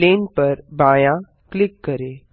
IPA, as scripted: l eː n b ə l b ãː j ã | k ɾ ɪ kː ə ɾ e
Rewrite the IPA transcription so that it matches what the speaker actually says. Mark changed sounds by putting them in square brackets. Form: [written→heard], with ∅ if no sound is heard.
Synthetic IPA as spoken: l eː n [b→p] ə [l→ɾ] b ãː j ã | k [ɾ→l] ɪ kː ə ɾ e